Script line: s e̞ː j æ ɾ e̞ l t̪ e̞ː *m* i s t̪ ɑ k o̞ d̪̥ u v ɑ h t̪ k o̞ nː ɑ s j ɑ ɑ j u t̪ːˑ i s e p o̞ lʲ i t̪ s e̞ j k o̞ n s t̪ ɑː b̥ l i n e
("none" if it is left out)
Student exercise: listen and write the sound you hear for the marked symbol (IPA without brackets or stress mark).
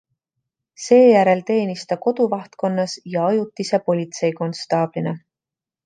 n